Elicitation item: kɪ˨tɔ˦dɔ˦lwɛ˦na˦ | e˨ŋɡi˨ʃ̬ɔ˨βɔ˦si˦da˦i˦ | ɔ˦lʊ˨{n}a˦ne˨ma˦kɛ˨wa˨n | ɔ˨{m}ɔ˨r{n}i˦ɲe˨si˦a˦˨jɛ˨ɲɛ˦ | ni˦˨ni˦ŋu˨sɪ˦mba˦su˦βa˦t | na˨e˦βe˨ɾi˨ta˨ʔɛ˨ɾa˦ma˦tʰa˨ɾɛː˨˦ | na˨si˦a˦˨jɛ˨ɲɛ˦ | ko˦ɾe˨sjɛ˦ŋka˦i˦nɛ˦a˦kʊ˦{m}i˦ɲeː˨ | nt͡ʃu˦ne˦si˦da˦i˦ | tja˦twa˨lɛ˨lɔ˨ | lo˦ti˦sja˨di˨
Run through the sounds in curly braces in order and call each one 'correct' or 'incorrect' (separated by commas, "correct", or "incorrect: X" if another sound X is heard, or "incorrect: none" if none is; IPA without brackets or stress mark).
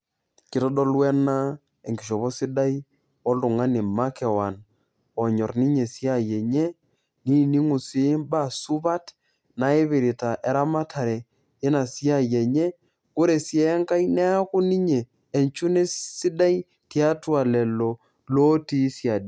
incorrect: ŋ, incorrect: ɲ, correct, incorrect: n